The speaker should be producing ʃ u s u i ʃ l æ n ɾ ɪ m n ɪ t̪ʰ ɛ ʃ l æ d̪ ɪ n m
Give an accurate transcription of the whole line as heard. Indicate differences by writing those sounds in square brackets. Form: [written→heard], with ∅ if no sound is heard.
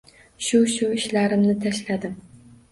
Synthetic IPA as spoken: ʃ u [s→ʃ] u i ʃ l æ [n→∅] ɾ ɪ m n ɪ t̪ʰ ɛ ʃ l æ d̪ ɪ [n→∅] m